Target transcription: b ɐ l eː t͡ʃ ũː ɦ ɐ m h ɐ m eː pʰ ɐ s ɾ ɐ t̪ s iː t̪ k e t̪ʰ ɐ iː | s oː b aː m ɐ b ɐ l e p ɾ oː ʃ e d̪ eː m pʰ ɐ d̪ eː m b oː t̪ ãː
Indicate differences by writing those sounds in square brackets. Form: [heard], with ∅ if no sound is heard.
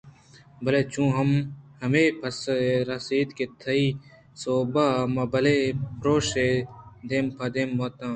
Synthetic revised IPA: b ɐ l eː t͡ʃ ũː ɦ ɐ m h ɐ m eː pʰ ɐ s ɾ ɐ [∅] s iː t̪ k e t̪ʰ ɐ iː | s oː b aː m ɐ b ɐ l e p ɾ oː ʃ e d̪ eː m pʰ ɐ d̪ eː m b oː t̪ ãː